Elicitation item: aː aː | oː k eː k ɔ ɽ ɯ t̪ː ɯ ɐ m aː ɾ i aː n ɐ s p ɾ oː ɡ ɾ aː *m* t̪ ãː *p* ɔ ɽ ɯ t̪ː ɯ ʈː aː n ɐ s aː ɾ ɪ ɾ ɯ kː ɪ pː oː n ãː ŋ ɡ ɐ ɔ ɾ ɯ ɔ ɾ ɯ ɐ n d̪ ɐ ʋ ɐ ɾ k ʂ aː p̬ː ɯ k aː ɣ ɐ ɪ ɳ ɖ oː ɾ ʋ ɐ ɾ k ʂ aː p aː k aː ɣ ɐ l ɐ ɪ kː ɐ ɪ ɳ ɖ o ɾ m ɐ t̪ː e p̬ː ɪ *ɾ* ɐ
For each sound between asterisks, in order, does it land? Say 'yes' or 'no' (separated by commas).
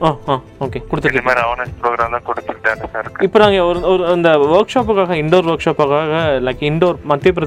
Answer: yes, no, yes